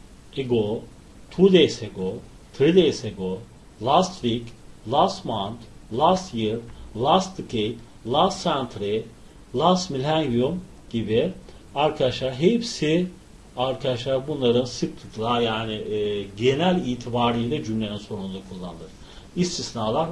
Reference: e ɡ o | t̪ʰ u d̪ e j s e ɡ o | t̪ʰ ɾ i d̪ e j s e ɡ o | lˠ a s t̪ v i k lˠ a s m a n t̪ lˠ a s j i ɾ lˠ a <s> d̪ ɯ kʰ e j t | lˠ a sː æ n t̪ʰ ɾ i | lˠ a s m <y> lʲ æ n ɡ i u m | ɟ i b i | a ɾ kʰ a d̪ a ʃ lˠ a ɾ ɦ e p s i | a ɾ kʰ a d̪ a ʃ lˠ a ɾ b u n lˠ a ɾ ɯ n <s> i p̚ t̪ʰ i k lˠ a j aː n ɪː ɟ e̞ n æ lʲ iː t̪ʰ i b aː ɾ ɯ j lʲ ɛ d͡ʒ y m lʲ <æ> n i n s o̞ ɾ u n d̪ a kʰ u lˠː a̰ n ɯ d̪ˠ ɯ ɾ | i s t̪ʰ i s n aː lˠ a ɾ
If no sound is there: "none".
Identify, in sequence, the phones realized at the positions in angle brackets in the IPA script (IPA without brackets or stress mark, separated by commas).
s, i, s, e